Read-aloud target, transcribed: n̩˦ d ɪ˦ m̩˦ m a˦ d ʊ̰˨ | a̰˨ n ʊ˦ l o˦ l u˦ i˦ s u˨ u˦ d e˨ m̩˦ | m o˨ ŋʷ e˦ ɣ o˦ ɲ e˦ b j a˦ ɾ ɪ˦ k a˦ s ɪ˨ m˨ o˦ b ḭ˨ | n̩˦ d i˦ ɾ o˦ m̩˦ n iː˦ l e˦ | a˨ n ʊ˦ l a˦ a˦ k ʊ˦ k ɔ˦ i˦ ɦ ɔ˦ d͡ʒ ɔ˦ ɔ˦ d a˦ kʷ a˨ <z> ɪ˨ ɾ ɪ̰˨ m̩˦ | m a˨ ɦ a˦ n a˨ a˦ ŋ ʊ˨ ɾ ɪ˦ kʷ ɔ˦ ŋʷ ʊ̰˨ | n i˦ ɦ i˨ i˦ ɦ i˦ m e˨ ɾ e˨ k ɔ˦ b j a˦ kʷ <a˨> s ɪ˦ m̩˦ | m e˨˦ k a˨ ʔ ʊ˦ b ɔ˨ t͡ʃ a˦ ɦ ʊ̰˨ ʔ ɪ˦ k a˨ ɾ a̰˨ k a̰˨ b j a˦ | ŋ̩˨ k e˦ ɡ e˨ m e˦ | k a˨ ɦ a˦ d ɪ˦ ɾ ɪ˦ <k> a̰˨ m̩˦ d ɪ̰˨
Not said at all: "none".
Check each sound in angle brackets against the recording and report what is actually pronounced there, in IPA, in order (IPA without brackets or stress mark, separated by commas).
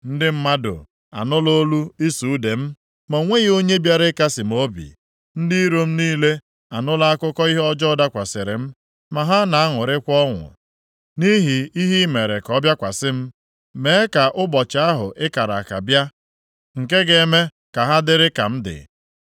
s, a˨, k